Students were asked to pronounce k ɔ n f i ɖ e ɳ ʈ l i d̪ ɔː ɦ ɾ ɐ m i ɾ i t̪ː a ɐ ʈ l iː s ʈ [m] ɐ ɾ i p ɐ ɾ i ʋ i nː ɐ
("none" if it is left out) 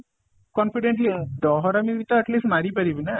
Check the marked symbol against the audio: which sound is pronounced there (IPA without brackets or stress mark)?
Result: m